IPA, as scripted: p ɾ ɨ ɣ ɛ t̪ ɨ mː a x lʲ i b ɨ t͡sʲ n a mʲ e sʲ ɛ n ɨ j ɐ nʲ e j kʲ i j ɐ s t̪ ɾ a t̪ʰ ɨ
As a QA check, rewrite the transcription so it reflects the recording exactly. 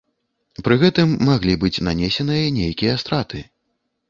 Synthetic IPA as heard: p ɾ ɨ ɣ ɛ t̪ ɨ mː a ɣ lʲ i b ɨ t͡sʲ n a nʲ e sʲ ɛ n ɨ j ɐ nʲ e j kʲ i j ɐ s t̪ ɾ a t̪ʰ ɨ